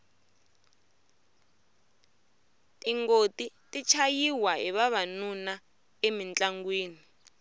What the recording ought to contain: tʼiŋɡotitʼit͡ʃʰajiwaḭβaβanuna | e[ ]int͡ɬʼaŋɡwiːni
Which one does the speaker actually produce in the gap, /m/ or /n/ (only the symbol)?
m